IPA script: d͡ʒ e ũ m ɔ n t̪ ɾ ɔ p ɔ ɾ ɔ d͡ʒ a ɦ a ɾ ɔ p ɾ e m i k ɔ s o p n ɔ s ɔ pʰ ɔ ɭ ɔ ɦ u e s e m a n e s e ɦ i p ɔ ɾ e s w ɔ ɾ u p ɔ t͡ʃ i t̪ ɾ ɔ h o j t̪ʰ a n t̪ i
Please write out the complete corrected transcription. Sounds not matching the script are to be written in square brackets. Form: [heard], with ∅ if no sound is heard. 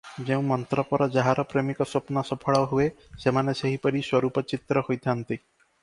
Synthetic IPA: d͡ʒ e ũ m ɔ n t̪ ɾ ɔ p ɔ ɾ ɔ d͡ʒ a ɦ a ɾ ɔ p ɾ e m i k ɔ s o p n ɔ s ɔ pʰ ɔ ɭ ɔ ɦ u e s e m a n e s e ɦ i p ɔ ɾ [i] s w ɔ ɾ u p ɔ t͡ʃ i t̪ ɾ ɔ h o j t̪ʰ a n t̪ i

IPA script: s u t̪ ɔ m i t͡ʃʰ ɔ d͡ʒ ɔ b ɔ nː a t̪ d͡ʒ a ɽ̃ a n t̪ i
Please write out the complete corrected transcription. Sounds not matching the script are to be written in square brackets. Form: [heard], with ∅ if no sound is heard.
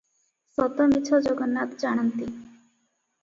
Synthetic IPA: s [ɔ] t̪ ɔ m i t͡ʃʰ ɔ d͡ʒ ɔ [ɡ] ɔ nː a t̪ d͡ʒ a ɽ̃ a n t̪ i

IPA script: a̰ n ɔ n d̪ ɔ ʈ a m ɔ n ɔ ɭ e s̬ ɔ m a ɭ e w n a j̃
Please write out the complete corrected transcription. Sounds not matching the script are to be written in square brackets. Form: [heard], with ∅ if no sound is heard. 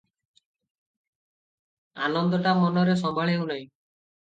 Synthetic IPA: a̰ n ɔ n d̪ ɔ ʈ a m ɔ n ɔ [ɾ] e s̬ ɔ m a ɭ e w n a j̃

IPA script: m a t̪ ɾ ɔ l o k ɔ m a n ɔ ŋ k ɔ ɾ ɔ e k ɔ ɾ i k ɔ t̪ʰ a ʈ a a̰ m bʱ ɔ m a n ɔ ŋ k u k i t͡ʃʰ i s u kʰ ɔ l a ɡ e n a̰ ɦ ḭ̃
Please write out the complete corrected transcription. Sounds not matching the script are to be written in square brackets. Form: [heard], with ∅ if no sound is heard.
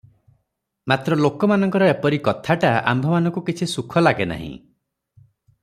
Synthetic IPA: m a t̪ ɾ ɔ l o k ɔ m a n ɔ ŋ k ɔ ɾ ɔ e [p] ɔ ɾ i k ɔ t̪ʰ a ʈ a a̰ m bʱ ɔ m a n ɔ ŋ k u k i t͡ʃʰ i s u kʰ ɔ l a ɡ e n a̰ ɦ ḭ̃

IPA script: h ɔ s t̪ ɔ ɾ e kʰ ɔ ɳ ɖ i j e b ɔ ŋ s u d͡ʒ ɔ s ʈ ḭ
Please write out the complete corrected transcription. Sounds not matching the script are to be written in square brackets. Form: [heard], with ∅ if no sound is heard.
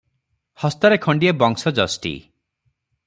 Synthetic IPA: h ɔ s t̪ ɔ ɾ e kʰ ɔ ɳ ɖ i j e b ɔ ŋ s [ɔ] d͡ʒ ɔ s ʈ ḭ

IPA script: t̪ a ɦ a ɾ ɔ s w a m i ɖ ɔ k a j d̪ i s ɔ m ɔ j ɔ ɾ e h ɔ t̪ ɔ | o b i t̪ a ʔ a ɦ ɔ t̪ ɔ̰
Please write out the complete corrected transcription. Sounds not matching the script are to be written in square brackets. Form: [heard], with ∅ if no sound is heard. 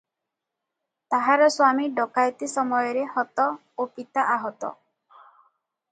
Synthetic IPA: t̪ a ɦ a ɾ ɔ s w a m i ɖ ɔ k a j [t̪] i s ɔ m ɔ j ɔ ɾ e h ɔ t̪ ɔ | o [p] i t̪ a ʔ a ɦ ɔ t̪ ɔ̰

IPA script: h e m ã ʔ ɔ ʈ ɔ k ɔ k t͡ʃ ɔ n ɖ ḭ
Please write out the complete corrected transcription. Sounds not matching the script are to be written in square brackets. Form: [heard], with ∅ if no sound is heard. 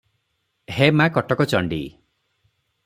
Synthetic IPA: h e m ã [k] ɔ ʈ ɔ k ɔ [∅] t͡ʃ ɔ [ɳ] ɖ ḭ

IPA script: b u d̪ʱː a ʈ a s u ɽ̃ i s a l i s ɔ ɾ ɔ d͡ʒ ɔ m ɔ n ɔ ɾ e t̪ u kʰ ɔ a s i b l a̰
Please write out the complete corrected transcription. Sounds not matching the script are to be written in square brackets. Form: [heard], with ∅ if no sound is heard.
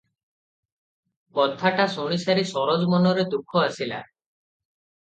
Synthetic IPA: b [ɔ] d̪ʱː a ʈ a s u ɽ̃ i s a [ɾ] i s ɔ ɾ ɔ d͡ʒ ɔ m ɔ n ɔ ɾ e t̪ u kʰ ɔ a s i [∅] l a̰

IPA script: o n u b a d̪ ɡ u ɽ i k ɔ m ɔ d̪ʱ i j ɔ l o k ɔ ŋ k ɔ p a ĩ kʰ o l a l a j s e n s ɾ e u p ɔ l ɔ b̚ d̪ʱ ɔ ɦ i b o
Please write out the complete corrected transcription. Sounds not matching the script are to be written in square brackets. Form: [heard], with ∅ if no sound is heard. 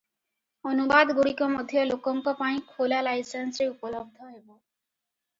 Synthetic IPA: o n u b a d̪ ɡ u ɽ i k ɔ m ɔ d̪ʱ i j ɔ l o k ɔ ŋ k ɔ p a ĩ kʰ o l a l a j s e n s ɾ e u p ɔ l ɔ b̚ d̪ʱ ɔ ɦ [e] b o

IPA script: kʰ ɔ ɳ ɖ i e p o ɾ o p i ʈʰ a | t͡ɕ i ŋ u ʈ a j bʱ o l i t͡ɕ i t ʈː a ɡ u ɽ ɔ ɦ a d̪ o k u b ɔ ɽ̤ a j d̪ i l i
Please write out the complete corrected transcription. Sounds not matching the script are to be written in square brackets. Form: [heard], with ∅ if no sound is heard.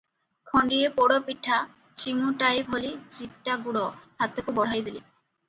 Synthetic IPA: kʰ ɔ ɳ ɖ i e p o [ɽ] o p i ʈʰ a | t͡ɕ i ŋ u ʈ a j bʱ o l i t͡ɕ i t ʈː a ɡ u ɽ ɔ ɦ a [t̪] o k u b ɔ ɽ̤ a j d̪ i l i

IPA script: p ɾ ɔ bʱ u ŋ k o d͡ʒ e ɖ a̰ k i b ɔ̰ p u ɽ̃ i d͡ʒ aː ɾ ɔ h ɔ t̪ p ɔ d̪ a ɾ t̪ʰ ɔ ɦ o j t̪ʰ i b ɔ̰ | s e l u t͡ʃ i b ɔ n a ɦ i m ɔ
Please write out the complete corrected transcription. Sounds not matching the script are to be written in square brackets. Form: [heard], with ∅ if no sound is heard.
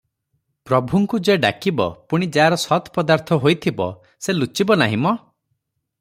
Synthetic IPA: p ɾ ɔ bʱ u ŋ k [u] d͡ʒ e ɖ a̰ k i b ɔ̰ p u ɽ̃ i d͡ʒ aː ɾ ɔ [s] ɔ t̪ p ɔ d̪ a ɾ t̪ʰ ɔ ɦ o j t̪ʰ i b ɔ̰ | s e l u t͡ʃ i b ɔ n a ɦ i m ɔ

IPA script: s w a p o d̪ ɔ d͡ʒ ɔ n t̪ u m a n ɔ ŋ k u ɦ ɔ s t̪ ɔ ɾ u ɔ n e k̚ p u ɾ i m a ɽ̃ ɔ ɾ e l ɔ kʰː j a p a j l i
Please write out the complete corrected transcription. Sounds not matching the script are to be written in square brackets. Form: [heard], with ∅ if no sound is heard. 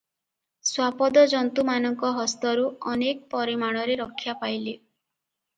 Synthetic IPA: s w a p [ɔ] d̪ ɔ d͡ʒ ɔ n t̪ u m a n ɔ ŋ k [ɔ] ɦ ɔ s t̪ ɔ ɾ u ɔ n e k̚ p [ɔ] ɾ i m a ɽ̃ ɔ ɾ e [ɾ] ɔ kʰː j a p a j l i

